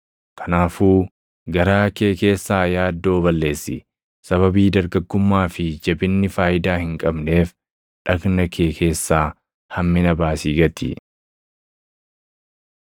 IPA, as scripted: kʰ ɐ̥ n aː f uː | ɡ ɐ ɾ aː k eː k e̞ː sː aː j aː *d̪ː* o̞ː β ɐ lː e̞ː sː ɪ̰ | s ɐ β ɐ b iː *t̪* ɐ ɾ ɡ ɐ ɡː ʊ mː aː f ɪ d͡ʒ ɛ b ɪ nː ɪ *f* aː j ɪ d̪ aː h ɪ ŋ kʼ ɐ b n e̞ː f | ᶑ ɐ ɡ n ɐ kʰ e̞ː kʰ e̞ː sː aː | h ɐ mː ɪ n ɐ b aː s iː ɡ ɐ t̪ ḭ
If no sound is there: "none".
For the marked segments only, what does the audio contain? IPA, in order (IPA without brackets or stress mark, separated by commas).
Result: d̪ː, d̪, f